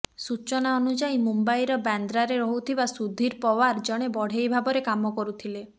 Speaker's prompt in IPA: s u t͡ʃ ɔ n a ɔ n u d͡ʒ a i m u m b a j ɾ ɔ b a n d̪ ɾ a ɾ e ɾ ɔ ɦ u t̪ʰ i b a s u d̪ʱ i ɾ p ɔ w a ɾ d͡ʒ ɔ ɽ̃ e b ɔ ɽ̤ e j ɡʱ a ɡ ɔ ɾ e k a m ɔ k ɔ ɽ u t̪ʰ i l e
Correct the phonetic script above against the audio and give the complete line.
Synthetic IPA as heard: s u t͡ʃ ɔ n a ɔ n u d͡ʒ a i m u m b a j ɾ ɔ b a n d̪ ɾ a ɾ e ɾ ɔ ɦ u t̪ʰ i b a s u d̪ʱ i ɾ p ɔ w a ɾ d͡ʒ ɔ ɽ̃ e b ɔ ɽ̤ e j bʱ a b ɔ ɾ e k a m ɔ k ɔ ɾ u t̪ʰ i l e